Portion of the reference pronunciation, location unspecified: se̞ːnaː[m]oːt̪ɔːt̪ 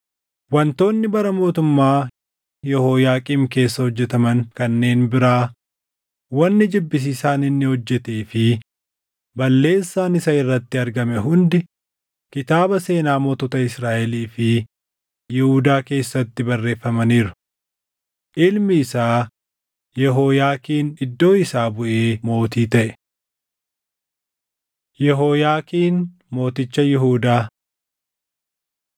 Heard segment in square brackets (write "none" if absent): m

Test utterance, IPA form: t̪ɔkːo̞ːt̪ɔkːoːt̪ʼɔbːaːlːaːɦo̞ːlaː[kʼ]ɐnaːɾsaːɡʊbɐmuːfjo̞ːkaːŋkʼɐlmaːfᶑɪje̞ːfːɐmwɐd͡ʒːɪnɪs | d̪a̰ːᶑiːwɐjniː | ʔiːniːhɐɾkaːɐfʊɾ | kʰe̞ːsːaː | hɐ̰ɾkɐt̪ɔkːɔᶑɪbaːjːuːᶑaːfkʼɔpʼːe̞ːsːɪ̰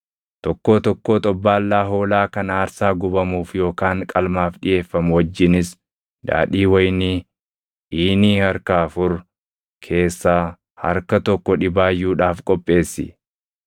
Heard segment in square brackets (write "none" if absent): k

